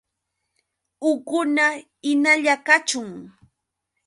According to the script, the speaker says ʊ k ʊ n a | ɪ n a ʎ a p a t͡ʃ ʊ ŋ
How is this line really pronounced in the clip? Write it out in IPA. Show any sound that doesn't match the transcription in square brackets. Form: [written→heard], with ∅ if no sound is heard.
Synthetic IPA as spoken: ʊ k ʊ n a | ɪ n a ʎ a [p→k] a t͡ʃ ʊ ŋ